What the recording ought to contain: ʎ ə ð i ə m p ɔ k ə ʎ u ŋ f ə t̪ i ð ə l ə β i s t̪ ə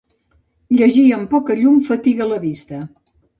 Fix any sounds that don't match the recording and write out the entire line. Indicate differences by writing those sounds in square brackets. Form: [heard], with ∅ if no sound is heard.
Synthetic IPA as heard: ʎ ə [ʒ] i ə m p ɔ k ə ʎ u [m] f ə t̪ i [ɣ] ə l ə β i s t̪ ə